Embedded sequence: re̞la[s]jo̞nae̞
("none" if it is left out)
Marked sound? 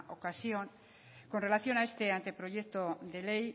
θ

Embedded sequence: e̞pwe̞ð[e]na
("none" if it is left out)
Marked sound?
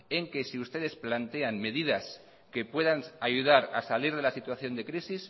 a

